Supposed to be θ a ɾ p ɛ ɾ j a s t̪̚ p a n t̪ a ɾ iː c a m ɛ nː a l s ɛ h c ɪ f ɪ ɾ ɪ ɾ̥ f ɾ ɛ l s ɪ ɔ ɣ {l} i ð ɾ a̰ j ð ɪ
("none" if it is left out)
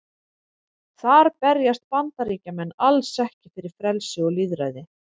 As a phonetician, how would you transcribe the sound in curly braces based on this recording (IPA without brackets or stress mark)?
l